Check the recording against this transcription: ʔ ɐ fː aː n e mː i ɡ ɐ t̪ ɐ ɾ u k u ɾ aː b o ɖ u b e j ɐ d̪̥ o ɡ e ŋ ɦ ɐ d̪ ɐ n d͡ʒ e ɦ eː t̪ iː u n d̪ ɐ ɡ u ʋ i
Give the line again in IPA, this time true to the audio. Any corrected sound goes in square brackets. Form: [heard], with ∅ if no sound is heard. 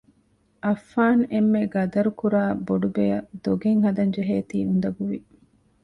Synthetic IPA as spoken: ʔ ɐ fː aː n e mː [e] ɡ ɐ [d̪] ɐ ɾ u k u ɾ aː b o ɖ u b e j ɐ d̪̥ o ɡ e ŋ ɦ ɐ d̪ ɐ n d͡ʒ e ɦ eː t̪ iː u n d̪ ɐ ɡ u ʋ i